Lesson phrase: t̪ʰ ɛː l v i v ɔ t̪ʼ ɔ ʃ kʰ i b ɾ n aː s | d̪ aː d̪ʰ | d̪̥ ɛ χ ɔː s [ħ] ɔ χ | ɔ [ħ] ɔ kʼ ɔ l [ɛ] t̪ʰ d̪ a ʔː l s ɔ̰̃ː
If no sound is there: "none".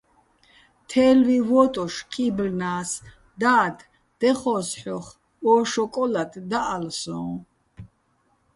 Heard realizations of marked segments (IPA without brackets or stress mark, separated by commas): ħ, ʃ, a